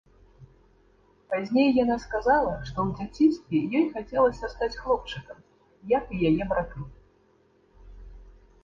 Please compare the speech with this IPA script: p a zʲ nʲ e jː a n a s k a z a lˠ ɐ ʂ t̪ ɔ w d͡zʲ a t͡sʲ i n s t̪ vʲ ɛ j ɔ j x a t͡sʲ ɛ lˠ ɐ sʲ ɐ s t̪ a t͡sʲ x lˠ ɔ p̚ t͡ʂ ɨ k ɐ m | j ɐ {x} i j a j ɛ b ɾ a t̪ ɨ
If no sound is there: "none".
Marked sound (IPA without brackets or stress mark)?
k